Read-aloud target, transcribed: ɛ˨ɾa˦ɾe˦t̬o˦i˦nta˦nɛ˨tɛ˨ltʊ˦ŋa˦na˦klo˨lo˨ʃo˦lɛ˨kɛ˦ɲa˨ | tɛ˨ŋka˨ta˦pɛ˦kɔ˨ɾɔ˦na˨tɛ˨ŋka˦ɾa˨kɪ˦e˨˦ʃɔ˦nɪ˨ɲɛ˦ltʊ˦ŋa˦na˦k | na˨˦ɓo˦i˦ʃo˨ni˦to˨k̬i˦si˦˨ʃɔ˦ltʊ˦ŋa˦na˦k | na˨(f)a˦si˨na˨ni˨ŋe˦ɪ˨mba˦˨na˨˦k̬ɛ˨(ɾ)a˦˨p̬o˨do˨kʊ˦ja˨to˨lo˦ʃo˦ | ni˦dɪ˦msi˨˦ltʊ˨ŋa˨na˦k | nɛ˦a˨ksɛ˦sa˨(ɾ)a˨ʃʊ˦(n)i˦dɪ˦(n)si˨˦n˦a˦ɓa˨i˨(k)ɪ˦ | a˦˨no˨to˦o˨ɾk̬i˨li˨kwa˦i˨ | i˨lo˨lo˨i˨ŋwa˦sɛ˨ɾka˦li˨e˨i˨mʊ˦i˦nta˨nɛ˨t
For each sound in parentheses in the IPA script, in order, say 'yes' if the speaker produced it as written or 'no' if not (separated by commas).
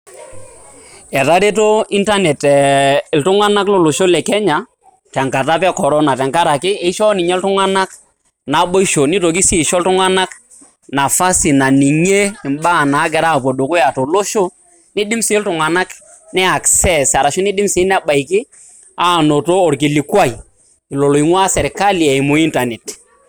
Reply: yes, yes, yes, yes, no, yes